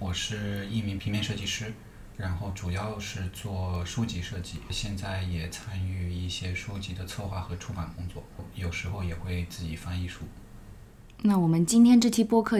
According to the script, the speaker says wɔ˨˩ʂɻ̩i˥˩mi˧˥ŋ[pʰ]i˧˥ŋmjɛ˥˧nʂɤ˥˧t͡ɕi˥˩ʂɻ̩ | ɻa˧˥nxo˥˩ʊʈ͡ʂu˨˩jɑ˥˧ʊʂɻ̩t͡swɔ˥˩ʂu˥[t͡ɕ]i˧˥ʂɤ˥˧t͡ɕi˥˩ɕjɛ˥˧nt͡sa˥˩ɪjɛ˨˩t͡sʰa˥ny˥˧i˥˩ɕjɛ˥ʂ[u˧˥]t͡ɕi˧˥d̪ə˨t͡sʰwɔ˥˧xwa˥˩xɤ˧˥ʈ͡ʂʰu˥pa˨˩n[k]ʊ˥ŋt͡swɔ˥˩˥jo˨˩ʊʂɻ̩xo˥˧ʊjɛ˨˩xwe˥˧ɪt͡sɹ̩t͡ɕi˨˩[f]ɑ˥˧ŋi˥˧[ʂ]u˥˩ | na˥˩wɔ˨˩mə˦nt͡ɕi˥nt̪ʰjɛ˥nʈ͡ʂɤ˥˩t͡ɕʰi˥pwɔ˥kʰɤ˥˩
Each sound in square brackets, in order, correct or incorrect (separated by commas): correct, correct, incorrect, correct, correct, correct